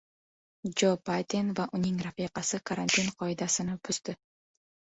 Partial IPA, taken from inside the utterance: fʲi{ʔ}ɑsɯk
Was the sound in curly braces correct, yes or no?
no